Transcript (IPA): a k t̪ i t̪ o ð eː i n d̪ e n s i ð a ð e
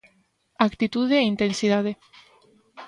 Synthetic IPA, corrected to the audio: a k t̪ i t̪ u ð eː i n t̪ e n s i ð a ð e